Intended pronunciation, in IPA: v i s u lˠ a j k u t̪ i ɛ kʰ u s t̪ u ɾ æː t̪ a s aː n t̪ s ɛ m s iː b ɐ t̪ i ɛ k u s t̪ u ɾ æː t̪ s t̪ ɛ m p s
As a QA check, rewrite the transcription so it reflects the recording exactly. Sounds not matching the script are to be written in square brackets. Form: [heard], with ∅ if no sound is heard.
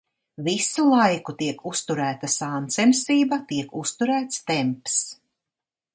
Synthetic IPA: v i s u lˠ a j k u t̪ i ɛ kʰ u s t̪ u ɾ æː t̪ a s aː n t̪ s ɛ m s iː b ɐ t̪ i ɛ k u s t̪ u ɾ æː t̪ s t̪ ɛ m p s